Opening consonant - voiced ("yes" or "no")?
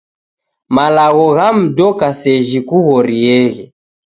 yes